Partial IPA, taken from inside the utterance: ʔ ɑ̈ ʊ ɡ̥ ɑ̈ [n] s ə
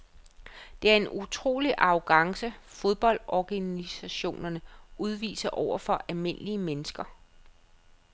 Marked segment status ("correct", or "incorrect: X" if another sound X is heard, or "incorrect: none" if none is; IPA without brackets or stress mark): incorrect: ŋ